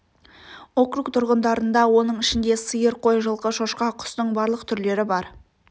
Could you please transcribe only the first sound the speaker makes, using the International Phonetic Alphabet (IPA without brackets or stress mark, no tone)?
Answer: o̞